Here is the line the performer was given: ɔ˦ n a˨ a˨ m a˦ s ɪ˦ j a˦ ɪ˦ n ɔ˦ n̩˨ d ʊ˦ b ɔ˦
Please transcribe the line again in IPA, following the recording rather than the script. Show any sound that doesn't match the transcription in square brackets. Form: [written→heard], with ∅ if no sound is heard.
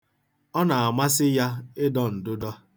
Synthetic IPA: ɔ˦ n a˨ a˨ m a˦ s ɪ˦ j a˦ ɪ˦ [n→d] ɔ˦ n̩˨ d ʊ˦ [b→d] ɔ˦